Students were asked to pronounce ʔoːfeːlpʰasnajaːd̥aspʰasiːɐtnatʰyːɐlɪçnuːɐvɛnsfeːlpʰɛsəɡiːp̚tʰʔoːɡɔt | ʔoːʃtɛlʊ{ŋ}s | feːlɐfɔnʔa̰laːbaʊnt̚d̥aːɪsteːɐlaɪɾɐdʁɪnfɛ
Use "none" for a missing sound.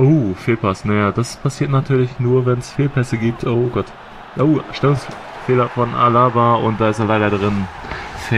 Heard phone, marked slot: ŋ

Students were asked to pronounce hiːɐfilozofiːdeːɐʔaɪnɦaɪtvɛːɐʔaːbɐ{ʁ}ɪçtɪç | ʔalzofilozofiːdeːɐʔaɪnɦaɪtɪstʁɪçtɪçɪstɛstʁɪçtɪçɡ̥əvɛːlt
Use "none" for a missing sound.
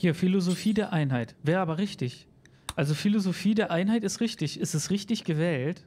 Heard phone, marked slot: ʁ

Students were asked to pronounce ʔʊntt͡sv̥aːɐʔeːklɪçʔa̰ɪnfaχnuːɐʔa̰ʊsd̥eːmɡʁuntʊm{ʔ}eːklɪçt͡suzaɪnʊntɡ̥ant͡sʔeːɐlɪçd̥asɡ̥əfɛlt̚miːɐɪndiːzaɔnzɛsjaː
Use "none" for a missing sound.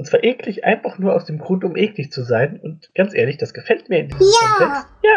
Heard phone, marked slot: ʔ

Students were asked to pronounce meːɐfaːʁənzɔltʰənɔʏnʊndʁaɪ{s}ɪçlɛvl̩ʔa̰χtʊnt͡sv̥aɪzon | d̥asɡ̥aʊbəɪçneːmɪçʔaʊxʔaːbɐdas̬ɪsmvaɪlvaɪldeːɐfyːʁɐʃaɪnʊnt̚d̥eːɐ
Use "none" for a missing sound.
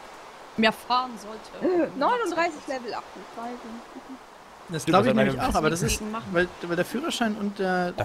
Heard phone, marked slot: s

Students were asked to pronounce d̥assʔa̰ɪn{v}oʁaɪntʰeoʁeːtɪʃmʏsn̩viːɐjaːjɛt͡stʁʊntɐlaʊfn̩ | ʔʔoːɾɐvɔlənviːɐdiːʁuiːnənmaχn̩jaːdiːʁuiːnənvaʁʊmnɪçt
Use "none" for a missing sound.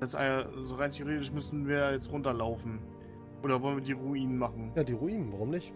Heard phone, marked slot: z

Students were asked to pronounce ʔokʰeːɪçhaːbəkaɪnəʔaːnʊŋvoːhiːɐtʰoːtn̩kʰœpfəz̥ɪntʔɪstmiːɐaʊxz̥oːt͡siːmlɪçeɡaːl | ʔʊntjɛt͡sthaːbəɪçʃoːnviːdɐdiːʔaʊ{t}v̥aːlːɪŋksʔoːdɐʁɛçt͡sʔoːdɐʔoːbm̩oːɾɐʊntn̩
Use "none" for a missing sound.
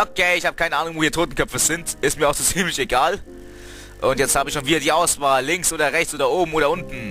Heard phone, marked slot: s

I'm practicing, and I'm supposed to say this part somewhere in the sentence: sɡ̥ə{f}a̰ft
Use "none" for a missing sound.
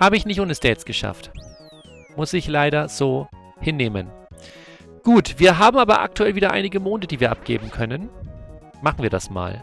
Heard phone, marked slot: ʃ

